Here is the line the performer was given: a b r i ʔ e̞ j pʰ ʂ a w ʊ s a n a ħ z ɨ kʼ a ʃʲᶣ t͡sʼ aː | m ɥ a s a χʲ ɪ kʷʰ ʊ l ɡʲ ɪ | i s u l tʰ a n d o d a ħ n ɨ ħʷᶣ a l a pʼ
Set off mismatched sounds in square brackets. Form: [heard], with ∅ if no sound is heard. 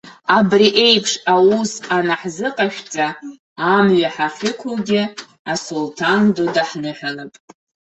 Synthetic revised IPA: a b r i ʔ e̞ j pʰ ʂ a w [u] s a n a ħ z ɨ [qʼ] a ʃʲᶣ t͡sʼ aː | m ɥ a [ħ] a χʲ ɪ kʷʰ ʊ l ɡʲ ɪ | [a] s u l tʰ a n d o d a ħ n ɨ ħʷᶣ a l a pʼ